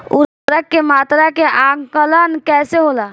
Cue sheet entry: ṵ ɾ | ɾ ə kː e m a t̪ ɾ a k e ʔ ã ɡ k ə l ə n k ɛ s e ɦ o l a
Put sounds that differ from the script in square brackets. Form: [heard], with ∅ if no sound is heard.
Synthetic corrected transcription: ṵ ɾ | ɾ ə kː e m a t̪ ɾ a k e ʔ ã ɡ k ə l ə n k ɛ s e ɦ o l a